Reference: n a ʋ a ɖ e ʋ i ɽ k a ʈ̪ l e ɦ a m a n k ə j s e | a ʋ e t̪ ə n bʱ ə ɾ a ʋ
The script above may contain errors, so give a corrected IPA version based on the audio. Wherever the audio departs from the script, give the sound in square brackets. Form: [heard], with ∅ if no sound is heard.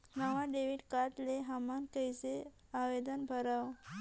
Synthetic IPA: n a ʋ a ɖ e ʋ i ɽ k a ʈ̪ l e ɦ a m a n k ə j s e | a ʋ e [d̪] ə n bʱ ə ɾ a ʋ

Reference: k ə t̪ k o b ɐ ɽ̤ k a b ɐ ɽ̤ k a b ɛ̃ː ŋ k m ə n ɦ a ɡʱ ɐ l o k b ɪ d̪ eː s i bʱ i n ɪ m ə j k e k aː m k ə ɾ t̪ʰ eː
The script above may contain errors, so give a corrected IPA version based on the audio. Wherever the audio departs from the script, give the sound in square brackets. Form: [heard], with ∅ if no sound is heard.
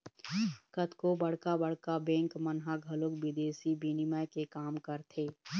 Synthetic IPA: k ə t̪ k o b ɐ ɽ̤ k a b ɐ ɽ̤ k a b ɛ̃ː ŋ k m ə n ɦ a ɡʱ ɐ l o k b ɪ d̪ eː s i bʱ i n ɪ m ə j k e k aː m k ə ɾ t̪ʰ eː

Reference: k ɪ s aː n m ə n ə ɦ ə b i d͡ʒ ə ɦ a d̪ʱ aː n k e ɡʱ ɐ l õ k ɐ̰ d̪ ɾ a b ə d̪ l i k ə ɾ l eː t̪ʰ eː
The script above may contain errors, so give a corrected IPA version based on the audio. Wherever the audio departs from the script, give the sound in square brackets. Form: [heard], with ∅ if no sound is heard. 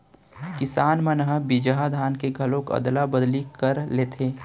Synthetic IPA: k ɪ s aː n m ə n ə ɦ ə b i d͡ʒ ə ɦ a d̪ʱ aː n k e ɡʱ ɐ l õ k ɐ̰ d̪ [l] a b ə d̪ l i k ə ɾ l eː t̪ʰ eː

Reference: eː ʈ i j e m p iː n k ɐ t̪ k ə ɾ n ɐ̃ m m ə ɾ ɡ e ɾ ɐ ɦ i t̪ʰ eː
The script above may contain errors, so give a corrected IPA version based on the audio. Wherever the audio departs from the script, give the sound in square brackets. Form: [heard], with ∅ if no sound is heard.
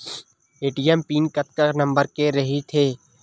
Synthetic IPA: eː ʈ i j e m p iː n k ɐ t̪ k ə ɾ n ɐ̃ m [b] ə ɾ [k] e ɾ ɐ ɦ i t̪ʰ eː

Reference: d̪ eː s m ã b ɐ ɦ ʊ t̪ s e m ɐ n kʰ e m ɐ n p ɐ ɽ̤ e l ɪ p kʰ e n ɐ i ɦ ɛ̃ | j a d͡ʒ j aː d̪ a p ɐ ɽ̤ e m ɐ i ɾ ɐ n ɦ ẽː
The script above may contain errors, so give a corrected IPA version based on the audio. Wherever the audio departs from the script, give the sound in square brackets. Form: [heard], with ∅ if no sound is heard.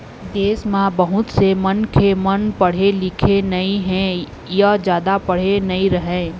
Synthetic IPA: d̪ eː s m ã b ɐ ɦ ʊ t̪ s e m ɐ n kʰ e m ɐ n p ɐ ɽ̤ e l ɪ [∅] kʰ e n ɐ i ɦ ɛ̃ | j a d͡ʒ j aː d̪ a p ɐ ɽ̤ e [n] ɐ i ɾ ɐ [∅] ɦ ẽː

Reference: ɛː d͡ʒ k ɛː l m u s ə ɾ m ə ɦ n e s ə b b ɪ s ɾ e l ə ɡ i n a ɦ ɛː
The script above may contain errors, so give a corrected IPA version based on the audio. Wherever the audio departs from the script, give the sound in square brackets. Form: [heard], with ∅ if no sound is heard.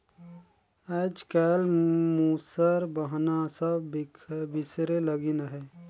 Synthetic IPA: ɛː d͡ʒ k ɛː l m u s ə ɾ [b] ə ɦ n [a] s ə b b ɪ s ɾ e l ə ɡ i n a ɦ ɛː

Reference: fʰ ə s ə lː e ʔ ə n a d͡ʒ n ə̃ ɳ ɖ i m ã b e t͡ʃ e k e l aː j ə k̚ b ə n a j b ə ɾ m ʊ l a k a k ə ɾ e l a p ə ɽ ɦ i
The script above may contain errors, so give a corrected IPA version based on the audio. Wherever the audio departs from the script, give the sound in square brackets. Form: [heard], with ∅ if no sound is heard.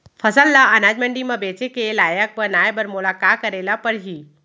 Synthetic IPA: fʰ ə s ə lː [a] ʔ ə n a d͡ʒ [m] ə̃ ɳ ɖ i m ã b e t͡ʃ e k e l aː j ə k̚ b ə n a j b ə ɾ m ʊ l a k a k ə ɾ e l a p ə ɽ ɦ i

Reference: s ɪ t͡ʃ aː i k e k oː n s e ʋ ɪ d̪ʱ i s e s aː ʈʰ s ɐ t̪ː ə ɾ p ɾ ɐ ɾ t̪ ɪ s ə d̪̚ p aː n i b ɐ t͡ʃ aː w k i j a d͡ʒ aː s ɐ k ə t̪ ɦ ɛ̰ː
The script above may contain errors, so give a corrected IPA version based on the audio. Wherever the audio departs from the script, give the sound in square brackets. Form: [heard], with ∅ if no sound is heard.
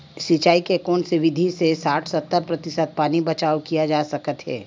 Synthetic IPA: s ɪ t͡ʃ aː i k e k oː n s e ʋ ɪ d̪ʱ i s e s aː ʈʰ s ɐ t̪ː ə ɾ p ɾ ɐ [∅] t̪ ɪ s ə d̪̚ p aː n i b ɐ t͡ʃ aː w k i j a d͡ʒ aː s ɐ k ə t̪ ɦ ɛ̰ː

